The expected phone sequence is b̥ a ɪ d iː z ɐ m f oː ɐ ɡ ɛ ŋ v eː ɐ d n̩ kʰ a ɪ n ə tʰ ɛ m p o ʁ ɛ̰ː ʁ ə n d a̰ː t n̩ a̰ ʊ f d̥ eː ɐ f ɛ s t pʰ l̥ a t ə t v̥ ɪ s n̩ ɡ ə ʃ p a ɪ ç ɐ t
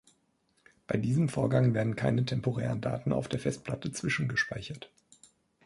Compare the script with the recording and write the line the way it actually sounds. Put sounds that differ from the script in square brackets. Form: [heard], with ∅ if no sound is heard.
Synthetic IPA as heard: b̥ a ɪ d iː z [ə] m f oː ɐ ɡ [a] ŋ v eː ɐ d n̩ kʰ a ɪ n ə tʰ ɛ m p o ʁ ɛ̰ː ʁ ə n d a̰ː t n̩ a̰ ʊ f d̥ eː ɐ f ɛ s t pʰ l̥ a t ə [t͡s] v̥ ɪ [ʃ] n̩ ɡ ə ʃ p a ɪ ç ɐ t